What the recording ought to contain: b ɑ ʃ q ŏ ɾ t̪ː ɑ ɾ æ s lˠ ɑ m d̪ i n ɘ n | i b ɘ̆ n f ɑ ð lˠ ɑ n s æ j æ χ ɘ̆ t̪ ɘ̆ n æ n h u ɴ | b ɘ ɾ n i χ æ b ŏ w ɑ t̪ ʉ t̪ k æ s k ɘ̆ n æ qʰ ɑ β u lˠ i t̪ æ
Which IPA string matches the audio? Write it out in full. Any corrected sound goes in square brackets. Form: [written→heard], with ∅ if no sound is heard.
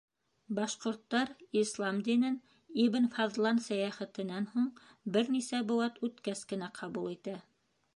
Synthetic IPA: b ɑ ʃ q ŏ ɾ t̪ː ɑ ɾ [æ→i] s lˠ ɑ m d̪ i n ɘ n | i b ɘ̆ n f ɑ ð lˠ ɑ n s æ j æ χ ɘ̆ t̪ ɘ̆ n æ n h u ɴ | b ɘ ɾ n i [χ→s] æ b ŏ w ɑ t̪ ʉ t̪ k æ s k ɘ̆ n æ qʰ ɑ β u lˠ i t̪ æ